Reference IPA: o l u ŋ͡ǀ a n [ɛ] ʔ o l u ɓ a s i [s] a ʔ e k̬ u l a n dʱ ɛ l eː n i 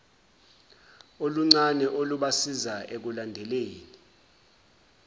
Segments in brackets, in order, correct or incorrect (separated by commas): correct, incorrect